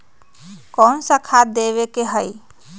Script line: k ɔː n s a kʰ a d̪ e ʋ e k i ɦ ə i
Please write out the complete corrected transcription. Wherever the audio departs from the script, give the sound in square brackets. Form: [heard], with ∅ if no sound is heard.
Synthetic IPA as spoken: k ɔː n s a kʰ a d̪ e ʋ e k [e] ɦ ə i